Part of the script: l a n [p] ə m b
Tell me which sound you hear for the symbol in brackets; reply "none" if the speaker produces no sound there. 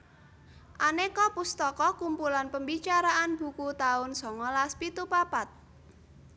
p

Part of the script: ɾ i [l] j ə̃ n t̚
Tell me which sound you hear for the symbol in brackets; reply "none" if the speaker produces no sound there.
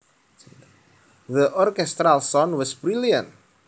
l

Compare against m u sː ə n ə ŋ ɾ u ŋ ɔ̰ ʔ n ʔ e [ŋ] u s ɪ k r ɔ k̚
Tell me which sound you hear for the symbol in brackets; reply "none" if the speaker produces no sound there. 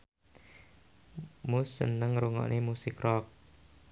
m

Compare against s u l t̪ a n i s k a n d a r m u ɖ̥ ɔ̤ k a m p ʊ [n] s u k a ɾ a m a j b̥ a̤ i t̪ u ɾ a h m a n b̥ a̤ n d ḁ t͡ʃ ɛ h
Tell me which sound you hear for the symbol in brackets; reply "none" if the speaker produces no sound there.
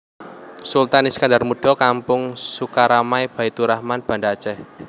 ŋ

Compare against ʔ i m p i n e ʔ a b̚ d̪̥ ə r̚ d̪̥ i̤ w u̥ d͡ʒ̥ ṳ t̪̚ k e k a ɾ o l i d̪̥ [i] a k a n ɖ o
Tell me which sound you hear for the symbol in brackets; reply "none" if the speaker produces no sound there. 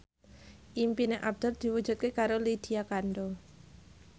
i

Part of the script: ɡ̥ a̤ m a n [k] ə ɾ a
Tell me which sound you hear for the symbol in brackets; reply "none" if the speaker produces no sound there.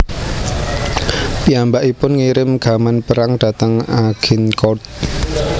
p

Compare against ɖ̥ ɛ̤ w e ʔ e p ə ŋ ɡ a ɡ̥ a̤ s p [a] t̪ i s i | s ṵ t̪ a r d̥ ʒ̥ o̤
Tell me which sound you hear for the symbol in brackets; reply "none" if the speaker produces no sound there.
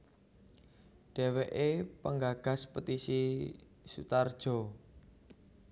ə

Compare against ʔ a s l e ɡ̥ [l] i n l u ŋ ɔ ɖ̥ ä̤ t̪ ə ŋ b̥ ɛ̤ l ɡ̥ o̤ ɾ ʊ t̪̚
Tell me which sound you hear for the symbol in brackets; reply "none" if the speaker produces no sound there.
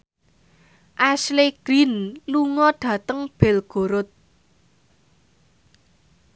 ɾ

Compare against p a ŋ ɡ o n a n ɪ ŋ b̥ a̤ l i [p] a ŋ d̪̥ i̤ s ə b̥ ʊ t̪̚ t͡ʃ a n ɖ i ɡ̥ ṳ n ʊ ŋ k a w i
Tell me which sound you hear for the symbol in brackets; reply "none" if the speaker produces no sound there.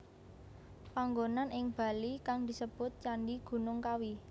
k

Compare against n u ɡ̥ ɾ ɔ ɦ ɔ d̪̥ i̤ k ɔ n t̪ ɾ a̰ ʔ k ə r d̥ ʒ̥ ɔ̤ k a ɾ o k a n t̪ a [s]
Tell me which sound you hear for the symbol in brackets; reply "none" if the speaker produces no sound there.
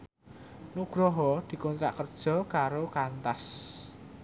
s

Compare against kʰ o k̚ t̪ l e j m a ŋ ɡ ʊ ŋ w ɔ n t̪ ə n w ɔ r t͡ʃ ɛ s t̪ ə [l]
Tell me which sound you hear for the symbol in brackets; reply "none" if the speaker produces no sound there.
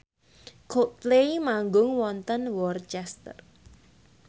r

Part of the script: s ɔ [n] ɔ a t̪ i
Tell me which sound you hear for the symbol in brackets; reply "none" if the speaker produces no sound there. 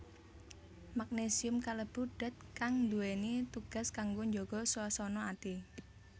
n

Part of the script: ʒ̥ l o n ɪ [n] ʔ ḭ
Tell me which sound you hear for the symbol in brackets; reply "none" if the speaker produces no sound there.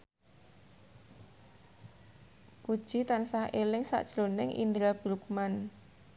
ŋ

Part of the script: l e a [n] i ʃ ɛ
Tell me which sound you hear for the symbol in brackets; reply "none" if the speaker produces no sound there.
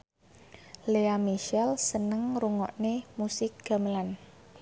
m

